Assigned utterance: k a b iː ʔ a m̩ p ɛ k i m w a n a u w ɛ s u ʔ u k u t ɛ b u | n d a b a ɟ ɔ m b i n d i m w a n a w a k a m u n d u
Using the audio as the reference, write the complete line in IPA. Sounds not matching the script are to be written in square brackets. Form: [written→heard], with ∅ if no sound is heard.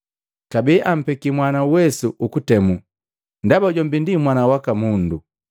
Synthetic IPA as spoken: k a b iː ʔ a m̩ p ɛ k i m w a n a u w ɛ s u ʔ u k u t ɛ [b→m] u | n d a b a ɟ ɔ m b i n d i m w a n a w a k a m u n d u